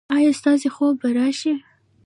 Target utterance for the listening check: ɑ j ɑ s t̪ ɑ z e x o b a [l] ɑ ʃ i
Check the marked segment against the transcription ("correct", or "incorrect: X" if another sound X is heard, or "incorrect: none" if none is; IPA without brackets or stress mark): incorrect: ɾ